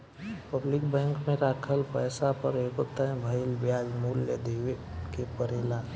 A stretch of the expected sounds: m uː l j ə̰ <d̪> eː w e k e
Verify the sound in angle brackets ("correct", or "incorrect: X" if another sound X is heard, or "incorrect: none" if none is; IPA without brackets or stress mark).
correct